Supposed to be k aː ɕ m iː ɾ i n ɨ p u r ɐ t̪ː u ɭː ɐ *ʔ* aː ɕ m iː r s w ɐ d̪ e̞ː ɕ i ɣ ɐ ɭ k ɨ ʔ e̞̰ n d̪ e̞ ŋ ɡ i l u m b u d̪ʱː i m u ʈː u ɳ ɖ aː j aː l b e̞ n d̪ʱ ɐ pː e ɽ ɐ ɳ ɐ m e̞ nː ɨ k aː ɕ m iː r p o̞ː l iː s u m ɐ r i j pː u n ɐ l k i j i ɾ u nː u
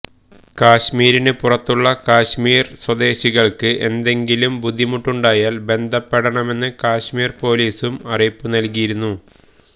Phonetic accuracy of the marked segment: incorrect: k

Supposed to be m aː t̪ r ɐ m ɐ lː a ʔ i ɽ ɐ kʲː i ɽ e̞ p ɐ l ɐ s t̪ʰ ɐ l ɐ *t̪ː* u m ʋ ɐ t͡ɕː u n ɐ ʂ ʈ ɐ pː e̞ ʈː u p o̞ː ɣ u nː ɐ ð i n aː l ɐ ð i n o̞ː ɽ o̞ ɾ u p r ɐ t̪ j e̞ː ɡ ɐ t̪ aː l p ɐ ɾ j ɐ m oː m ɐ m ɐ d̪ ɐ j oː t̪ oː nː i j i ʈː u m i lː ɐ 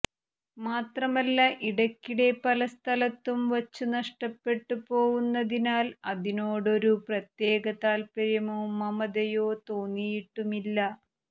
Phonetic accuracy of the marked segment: correct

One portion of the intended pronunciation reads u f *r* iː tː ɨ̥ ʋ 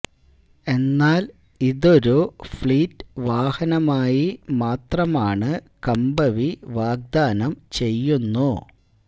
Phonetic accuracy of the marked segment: incorrect: ɭ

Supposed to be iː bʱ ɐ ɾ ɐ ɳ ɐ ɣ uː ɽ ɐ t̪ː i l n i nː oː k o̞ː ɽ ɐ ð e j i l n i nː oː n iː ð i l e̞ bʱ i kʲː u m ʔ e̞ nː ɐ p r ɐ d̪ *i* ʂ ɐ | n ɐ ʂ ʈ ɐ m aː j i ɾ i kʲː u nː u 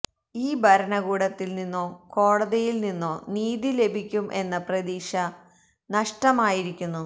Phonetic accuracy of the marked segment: incorrect: iː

